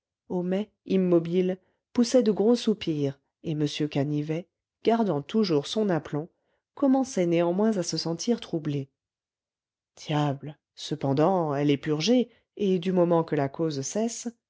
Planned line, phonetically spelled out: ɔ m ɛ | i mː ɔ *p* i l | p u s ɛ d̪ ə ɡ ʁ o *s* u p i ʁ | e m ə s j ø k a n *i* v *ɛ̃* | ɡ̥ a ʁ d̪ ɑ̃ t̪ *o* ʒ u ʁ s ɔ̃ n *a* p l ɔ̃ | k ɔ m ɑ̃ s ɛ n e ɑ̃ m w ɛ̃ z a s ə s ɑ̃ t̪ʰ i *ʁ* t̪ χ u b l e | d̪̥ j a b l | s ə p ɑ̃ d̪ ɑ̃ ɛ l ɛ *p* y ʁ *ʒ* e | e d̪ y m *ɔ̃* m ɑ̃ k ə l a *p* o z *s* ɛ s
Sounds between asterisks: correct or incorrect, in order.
incorrect: b, correct, correct, incorrect: ɛ, incorrect: u, correct, correct, correct, correct, incorrect: ɔ, incorrect: k, correct

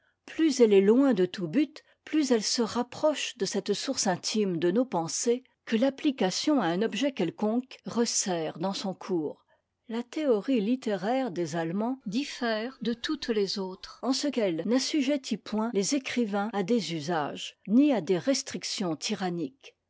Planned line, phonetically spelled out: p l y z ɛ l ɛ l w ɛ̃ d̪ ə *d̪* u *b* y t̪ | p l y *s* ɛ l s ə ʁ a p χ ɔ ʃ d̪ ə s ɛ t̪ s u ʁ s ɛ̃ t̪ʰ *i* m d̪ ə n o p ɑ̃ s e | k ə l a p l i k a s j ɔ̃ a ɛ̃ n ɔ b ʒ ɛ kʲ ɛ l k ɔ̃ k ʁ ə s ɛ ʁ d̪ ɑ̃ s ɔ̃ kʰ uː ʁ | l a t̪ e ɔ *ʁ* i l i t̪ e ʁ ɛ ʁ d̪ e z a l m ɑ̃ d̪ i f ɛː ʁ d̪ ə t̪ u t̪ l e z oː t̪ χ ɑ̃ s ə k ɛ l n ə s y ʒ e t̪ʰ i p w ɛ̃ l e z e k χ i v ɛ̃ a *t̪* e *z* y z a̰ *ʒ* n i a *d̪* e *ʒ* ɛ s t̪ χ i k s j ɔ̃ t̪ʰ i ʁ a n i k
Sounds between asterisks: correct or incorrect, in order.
incorrect: t̪, correct, incorrect: z, correct, correct, incorrect: d̪, correct, correct, correct, incorrect: ʁ

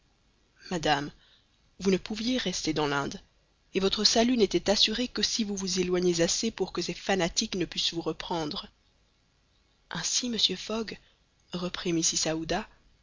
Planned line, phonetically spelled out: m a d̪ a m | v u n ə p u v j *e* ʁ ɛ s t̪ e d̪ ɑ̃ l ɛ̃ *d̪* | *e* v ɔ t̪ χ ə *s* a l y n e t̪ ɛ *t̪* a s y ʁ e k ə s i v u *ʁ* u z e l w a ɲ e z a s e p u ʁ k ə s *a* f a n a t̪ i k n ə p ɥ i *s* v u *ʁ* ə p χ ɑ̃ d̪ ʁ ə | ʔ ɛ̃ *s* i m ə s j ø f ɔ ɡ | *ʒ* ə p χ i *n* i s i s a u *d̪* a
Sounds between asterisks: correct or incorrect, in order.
correct, correct, correct, correct, correct, incorrect: v, incorrect: ɛ, correct, correct, correct, incorrect: ʁ, incorrect: m, correct

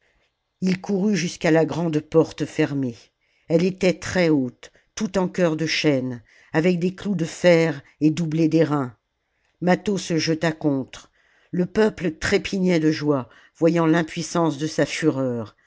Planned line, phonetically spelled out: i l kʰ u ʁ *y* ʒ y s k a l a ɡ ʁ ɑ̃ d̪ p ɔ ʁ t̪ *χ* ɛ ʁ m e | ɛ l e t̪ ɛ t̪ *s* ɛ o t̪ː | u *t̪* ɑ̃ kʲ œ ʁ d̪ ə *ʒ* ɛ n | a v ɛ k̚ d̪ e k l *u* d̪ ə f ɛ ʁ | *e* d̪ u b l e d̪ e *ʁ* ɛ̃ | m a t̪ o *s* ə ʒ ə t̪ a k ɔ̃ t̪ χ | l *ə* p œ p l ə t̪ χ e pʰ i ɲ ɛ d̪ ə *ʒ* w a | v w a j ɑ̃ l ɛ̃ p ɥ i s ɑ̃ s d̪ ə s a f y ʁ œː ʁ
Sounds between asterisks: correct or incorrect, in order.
correct, incorrect: f, incorrect: χ, correct, incorrect: ʃ, correct, correct, correct, correct, correct, correct

